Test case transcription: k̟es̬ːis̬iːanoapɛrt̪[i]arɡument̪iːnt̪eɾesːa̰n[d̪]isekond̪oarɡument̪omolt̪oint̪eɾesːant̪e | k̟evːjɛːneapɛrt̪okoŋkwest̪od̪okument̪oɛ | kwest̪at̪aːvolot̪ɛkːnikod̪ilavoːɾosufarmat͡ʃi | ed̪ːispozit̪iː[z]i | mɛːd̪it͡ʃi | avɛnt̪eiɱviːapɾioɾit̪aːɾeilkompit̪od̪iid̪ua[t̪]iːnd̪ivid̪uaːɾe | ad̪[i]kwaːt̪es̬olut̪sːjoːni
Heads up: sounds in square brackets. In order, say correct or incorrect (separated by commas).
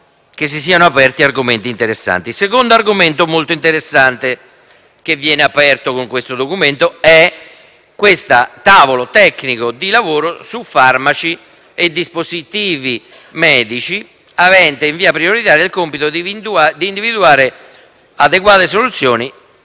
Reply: correct, incorrect, incorrect, incorrect, incorrect